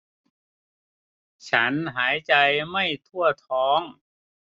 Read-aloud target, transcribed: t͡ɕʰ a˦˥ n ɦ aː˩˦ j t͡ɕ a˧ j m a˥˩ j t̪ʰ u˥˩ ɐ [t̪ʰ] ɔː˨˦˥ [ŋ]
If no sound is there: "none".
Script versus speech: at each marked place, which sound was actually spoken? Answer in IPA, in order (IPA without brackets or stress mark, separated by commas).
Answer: t̪ʰ, ŋ